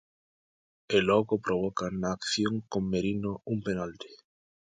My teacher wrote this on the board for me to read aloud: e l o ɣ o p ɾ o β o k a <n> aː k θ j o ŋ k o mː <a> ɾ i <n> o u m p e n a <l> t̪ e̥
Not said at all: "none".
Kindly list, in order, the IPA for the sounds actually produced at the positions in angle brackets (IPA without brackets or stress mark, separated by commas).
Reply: n, e, n, l